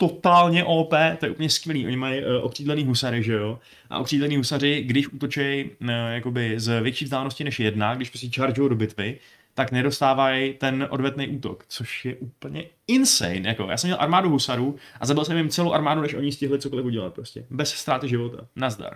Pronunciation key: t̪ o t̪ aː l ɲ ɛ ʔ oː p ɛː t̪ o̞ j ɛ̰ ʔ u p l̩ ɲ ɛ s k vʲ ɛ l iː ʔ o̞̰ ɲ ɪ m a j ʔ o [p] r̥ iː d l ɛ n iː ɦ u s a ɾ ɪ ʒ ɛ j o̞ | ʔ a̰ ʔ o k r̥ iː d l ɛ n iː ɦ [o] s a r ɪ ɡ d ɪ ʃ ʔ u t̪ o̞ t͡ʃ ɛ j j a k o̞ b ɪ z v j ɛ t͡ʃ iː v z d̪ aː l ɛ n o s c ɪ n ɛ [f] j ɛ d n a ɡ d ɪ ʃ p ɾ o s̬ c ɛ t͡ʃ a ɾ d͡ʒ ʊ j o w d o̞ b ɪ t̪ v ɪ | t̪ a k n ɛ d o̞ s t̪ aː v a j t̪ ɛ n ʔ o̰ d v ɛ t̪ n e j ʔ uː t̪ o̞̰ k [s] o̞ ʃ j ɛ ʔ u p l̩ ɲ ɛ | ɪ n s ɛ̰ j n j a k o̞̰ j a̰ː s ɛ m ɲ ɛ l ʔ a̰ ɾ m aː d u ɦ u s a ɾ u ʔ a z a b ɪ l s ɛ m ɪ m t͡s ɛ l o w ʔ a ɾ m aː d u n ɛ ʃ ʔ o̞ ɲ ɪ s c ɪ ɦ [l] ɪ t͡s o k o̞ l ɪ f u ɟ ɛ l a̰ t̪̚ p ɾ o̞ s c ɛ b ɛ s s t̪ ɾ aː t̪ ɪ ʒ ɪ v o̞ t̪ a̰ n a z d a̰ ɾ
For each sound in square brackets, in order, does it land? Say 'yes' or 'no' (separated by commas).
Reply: no, no, no, no, yes